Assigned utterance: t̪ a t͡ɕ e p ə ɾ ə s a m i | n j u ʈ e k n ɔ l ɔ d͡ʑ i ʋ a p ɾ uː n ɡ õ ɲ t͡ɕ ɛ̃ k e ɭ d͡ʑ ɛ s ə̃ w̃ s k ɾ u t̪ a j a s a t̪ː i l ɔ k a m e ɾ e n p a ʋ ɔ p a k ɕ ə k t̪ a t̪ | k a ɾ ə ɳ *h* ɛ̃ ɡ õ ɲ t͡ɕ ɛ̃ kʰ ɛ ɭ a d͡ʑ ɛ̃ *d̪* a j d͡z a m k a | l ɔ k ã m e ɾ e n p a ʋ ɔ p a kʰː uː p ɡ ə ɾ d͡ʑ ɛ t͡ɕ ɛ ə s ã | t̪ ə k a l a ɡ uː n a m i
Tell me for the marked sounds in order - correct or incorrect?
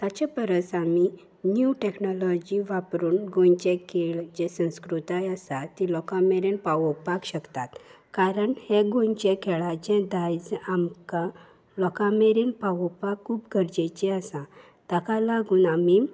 correct, correct

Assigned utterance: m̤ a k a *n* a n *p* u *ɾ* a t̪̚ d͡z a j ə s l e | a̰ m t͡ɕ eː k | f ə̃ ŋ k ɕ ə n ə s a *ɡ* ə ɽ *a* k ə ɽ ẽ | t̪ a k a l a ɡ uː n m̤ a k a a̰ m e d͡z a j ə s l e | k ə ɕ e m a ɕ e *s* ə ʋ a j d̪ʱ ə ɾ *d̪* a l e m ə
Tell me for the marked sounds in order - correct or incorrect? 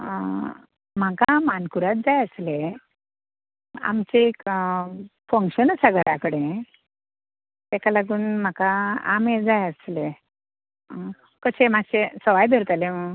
incorrect: m, incorrect: k, correct, correct, correct, correct, incorrect: t̪

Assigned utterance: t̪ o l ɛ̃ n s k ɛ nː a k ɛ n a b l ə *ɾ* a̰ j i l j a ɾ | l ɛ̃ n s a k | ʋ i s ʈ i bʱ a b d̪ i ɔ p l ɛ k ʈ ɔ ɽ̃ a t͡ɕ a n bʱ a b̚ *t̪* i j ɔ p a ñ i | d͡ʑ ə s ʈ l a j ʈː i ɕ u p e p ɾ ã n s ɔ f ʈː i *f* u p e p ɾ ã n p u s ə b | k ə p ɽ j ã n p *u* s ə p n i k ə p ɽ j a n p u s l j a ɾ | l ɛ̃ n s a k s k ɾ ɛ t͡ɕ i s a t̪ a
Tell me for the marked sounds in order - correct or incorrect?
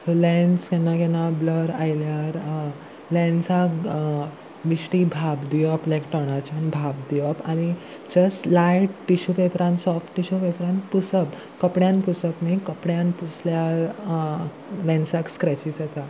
correct, incorrect: d̪, incorrect: ɕ, correct

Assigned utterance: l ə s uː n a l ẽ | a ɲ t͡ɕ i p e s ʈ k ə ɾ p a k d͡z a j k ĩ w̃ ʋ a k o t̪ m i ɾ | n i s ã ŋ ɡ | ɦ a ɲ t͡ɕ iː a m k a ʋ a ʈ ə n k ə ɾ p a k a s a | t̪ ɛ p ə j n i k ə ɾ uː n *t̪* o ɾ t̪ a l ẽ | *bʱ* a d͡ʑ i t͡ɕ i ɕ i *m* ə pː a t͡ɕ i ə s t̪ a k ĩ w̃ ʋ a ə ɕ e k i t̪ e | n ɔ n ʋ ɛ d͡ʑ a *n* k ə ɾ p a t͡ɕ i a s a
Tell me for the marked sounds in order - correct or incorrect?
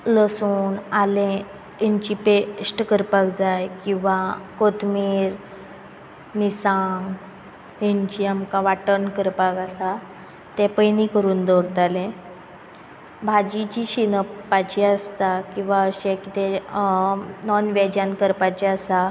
incorrect: d̪, correct, incorrect: n, correct

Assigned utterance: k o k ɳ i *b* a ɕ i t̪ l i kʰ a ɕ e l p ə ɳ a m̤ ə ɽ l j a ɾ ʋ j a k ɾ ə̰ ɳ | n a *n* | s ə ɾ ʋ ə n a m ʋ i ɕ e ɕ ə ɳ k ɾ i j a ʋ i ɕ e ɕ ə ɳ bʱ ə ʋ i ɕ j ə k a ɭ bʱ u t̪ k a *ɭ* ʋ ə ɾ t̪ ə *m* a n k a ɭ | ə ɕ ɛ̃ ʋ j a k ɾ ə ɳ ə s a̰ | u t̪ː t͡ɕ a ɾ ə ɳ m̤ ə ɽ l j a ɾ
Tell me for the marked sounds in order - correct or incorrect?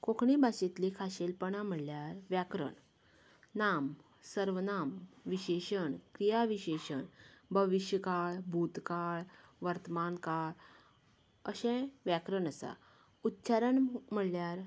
correct, incorrect: m, correct, correct

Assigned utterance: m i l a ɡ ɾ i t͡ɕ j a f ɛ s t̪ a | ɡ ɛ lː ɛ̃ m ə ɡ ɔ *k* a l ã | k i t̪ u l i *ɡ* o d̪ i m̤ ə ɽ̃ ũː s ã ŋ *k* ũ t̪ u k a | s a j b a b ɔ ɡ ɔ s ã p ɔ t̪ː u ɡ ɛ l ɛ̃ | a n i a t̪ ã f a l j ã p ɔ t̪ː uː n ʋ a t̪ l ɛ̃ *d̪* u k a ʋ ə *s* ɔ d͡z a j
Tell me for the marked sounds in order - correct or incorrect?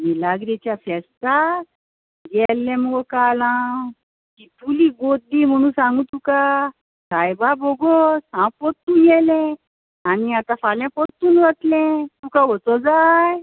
correct, correct, incorrect: ɡ, incorrect: t̪, incorrect: t͡s

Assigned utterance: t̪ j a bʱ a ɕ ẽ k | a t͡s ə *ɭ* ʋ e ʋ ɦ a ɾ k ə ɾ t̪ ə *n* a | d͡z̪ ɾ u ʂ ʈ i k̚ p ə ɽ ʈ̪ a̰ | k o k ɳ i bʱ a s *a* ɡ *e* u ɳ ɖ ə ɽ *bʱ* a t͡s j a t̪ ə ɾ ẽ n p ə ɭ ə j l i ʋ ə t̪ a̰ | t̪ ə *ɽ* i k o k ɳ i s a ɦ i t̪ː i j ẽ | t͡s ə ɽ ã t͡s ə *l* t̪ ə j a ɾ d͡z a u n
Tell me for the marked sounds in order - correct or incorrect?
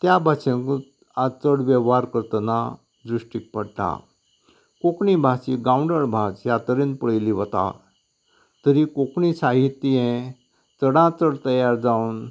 incorrect: ɽ, correct, incorrect: i, incorrect: a, correct, incorrect: ɾ, incorrect: ɽ

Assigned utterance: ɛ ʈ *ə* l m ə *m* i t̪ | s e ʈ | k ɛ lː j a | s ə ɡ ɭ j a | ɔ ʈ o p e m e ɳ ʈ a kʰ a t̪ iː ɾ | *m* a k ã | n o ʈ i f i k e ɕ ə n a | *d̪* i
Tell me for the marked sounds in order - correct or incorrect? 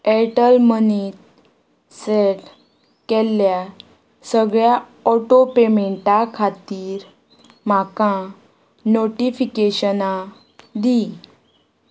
correct, incorrect: n, correct, correct

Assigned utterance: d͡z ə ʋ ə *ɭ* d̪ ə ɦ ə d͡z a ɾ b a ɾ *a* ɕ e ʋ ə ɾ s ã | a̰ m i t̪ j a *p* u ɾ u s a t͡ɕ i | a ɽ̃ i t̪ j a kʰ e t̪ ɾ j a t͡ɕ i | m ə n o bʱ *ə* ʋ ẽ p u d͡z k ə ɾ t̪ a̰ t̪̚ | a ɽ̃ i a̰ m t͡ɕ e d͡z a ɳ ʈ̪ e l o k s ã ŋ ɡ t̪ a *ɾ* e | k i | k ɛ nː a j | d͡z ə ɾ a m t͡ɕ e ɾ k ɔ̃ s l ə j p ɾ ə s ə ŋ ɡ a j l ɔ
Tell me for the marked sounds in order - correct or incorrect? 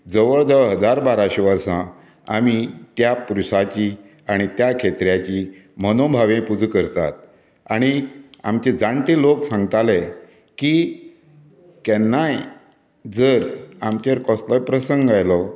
correct, correct, correct, incorrect: a, incorrect: l

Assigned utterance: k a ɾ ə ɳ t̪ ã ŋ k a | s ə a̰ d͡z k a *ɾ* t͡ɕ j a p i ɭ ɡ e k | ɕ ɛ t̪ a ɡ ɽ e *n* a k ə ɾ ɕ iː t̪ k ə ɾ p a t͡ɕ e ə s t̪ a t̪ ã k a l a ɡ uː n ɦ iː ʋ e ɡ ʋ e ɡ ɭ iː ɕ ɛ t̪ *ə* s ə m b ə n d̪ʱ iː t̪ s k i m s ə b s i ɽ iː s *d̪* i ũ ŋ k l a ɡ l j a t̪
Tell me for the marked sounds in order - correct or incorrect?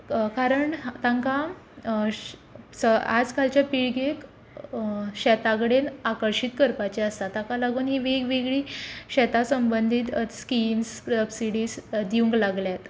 incorrect: l, correct, incorrect: a, correct

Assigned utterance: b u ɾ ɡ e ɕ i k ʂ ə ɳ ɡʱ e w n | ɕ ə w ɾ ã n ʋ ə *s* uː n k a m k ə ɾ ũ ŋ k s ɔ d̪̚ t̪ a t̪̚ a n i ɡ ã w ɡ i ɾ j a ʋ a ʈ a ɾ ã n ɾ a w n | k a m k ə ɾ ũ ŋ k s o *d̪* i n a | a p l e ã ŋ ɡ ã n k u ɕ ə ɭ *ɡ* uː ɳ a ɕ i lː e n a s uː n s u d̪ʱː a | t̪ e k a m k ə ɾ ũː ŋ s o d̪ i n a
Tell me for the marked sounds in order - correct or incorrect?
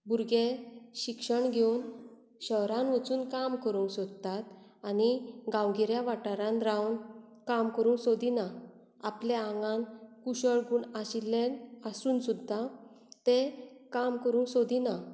incorrect: t͡s, correct, correct

